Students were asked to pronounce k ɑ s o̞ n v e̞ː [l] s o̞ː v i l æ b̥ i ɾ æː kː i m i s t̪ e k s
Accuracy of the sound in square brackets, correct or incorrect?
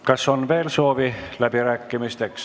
correct